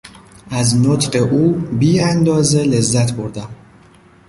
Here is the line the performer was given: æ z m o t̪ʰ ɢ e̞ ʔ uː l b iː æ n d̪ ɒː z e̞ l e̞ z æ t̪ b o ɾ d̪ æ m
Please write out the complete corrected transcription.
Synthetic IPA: æ z n o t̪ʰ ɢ e̞ ʔ uː b iː æ n d̪ ɒː z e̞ l e̞ zː æ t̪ b o ɾ d̪ æ m